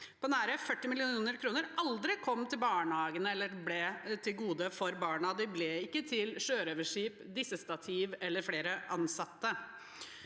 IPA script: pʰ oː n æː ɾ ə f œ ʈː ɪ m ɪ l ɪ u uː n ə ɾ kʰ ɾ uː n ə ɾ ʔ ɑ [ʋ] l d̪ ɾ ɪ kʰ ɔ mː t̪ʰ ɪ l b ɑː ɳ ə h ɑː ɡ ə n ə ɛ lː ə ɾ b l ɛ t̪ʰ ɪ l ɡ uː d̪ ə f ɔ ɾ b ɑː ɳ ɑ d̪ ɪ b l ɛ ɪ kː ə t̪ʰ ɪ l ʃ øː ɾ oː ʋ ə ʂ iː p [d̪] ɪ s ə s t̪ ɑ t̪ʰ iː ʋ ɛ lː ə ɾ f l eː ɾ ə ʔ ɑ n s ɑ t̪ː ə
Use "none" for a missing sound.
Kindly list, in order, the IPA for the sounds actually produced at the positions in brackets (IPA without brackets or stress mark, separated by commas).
none, d̪